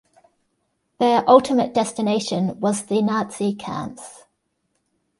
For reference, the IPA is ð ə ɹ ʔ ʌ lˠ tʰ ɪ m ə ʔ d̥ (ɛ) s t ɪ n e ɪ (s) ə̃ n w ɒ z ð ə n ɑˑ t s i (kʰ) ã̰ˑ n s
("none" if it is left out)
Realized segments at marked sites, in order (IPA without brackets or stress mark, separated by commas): ɛ, ʃ, kʰ